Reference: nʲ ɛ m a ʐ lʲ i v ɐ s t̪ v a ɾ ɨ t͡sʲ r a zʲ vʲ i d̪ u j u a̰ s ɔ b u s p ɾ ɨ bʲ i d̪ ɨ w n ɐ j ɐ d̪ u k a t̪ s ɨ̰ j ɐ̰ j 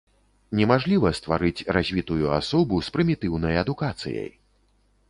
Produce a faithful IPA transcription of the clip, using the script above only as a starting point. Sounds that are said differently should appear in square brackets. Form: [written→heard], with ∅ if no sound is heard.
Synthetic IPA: nʲ ɛ m a ʐ lʲ i v ɐ s t̪ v a ɾ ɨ t͡sʲ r a zʲ vʲ i [d̪→t̪] u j u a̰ s ɔ b u s p ɾ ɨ [bʲ→mʲ] i [d̪→t̪] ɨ w n ɐ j ɐ d̪ u k a t̪ s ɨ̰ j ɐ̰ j

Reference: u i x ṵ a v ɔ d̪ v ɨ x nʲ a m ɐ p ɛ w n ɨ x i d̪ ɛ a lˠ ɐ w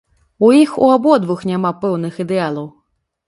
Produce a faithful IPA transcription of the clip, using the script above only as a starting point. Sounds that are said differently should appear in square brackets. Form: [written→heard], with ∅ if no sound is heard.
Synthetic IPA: u i x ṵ a [v→b] ɔ d̪ v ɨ x nʲ a m [ɐ→a] p ɛ w n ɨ x i d̪ ɛ a lˠ ɐ w

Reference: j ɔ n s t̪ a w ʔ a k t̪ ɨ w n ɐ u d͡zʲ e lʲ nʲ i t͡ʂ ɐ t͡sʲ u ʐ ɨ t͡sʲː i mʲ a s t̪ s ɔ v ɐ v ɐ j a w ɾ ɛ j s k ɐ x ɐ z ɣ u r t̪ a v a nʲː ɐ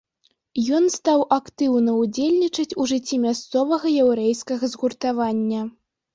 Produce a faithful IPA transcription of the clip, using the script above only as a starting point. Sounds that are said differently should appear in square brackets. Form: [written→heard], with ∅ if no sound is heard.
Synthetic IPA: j ɔ n s t̪ a w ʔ a k t̪ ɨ w n ɐ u d͡zʲ e lʲ nʲ i t͡ʂ ɐ t͡sʲ u ʐ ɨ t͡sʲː i mʲ a s t̪ s ɔ v ɐ [v→ɣ] ɐ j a w ɾ ɛ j s k ɐ [x→ɣ] ɐ z ɣ u r t̪ a v a nʲː ɐ

